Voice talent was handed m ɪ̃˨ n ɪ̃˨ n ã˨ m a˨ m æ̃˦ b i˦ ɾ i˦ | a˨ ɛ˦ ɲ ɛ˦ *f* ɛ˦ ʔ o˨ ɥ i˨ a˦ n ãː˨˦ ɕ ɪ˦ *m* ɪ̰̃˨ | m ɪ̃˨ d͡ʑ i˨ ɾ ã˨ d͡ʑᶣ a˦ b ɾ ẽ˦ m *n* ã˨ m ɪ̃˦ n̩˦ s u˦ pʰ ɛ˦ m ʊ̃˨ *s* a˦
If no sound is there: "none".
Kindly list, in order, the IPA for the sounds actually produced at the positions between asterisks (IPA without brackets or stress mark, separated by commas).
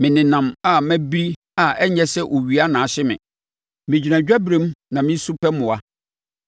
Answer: s, m, n, none